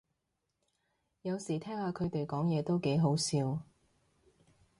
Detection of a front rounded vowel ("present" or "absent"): absent